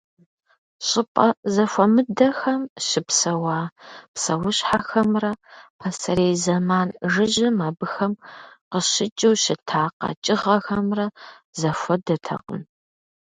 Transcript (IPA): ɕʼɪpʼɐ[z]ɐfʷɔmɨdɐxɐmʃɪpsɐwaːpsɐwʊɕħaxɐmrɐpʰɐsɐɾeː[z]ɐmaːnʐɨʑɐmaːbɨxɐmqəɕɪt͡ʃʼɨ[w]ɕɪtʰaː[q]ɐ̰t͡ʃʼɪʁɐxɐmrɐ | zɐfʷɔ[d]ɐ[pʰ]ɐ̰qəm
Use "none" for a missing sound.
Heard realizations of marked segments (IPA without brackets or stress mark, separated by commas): z, z, w, q, d, tʰ